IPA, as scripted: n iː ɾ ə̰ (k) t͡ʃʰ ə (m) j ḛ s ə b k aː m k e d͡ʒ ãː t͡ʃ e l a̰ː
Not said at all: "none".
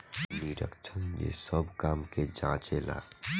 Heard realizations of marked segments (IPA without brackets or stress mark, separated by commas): k, n